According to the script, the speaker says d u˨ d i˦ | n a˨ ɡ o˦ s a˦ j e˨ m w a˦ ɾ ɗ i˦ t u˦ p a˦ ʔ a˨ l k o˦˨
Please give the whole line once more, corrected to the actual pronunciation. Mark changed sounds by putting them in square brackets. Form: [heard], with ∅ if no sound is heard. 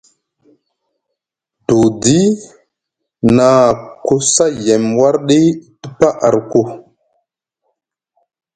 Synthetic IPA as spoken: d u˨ d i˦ | n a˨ [k] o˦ s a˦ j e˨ m w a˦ ɾ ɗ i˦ t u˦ p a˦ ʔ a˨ [ɾ] k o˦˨